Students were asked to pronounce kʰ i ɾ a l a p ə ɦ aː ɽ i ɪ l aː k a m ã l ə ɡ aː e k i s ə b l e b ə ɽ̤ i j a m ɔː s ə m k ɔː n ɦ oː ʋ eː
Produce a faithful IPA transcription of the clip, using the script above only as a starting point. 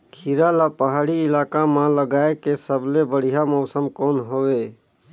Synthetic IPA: kʰ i ɾ a l a p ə ɦ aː ɽ i ɪ l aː k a m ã l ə ɡ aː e k e s ə b l e b ə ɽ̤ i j a m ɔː s ə m k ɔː n ɦ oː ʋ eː

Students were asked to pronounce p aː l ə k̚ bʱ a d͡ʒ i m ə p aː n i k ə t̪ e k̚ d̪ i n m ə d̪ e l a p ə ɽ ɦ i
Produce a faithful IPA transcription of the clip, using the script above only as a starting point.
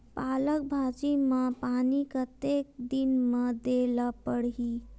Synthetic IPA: p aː l ə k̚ bʱ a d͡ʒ i m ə p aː n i k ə t̪ e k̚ d̪ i n m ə d̪ e l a p ə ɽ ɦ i

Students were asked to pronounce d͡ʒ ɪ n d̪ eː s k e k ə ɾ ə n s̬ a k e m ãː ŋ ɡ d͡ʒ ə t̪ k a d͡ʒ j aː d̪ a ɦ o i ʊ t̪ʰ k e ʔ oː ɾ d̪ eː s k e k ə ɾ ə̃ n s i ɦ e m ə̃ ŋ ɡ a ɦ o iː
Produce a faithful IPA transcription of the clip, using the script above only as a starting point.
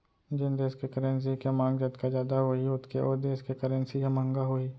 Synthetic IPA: d͡ʒ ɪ n d̪ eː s k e k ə ɾ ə n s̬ i k e m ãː ŋ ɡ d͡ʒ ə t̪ k a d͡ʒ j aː d̪ a ɦ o i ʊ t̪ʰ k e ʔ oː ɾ d̪ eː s k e k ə ɾ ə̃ n s i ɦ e m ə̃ ŋ ɡ a ɦ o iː

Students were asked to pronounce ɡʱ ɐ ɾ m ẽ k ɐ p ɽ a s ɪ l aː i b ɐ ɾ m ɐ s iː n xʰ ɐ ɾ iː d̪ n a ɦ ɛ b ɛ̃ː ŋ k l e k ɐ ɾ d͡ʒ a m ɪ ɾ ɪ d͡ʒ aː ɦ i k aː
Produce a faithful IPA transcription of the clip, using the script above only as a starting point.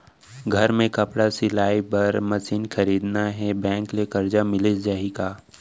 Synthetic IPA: ɡʱ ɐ ɾ m ẽ k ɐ p ɽ a s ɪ l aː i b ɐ ɾ m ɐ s iː n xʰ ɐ ɾ iː d̪ n a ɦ ɛ b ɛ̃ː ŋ k l e k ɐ ɾ d͡ʒ a m ɪ l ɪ d͡ʒ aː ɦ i k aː

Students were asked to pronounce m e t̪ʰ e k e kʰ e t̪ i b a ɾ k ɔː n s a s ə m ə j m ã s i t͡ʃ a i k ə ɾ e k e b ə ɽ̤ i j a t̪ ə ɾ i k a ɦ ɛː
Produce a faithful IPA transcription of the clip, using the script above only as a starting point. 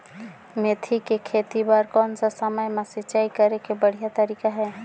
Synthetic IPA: m e t̪ʰ i k e kʰ e t̪ i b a ɾ k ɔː n s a s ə m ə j m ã s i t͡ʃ a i k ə ɾ e k e b ə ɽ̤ i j a t̪ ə ɾ i k a ɦ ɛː

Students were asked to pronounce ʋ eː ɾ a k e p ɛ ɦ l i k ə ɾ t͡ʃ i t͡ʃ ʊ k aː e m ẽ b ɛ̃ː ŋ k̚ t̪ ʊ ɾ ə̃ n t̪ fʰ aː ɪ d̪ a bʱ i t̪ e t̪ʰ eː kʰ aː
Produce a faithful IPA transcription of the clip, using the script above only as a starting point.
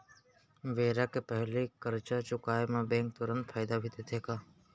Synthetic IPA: ʋ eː ɾ a k e p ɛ ɦ l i k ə ɾ t͡ʃ a t͡ʃ ʊ k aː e m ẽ b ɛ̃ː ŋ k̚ t̪ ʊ ɾ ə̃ n t̪ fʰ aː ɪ d̪ a bʱ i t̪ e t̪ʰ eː k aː

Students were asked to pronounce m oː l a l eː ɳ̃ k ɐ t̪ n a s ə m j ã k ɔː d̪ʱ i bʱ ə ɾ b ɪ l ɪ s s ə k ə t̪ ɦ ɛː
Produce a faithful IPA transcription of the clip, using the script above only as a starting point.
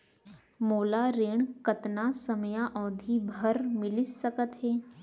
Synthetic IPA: m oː l a ɾ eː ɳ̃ k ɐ t̪ n a s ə m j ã ʔ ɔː d̪ʱ i bʱ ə ɾ m ɪ l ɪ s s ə k ə t̪ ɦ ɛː

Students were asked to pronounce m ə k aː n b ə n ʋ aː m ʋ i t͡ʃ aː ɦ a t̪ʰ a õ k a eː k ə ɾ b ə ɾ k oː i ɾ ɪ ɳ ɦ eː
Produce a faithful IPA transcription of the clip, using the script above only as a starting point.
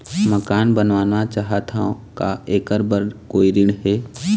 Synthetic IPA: m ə k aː n b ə n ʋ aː n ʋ a t͡ʃ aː ɦ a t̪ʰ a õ k a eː k ə ɾ b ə ɾ k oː i ɾ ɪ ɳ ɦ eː

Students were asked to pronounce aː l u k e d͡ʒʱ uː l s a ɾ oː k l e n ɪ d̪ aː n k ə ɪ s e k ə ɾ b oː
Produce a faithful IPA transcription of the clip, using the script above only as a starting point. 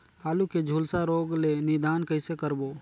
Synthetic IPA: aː l u k e d͡ʒʱ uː l s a ɾ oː ɡ l e n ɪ d̪ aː n k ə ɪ s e k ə ɾ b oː

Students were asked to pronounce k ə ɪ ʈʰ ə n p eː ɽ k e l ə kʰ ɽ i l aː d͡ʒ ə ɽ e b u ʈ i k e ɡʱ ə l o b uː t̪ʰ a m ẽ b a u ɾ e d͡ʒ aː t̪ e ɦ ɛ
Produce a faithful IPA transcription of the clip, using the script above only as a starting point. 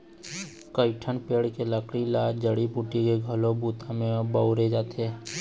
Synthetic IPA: k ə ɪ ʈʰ ə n p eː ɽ k e l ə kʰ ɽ i l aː d͡ʒ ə ɽ i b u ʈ i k e ɡʱ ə l o b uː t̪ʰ a m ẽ b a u ɾ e d͡ʒ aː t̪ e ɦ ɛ

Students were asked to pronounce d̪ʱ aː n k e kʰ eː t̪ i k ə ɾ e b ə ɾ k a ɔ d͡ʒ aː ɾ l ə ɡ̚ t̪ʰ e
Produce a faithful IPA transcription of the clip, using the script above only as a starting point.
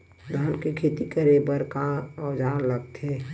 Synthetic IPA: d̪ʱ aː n k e kʰ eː t̪ i k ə ɾ e b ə ɾ k a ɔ d͡ʒ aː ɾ l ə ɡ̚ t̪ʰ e

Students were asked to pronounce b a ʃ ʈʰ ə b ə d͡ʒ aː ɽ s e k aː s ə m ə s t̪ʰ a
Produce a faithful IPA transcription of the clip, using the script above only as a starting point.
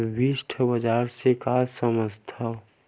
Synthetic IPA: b i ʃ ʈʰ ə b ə d͡ʒ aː ɾ s e k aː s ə m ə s t̪ʰ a

